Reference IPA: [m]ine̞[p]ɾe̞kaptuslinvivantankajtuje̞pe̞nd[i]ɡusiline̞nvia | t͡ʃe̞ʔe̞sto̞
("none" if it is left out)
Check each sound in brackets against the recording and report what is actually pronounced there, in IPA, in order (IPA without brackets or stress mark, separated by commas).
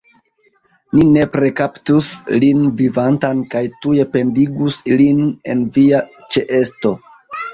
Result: n, p, i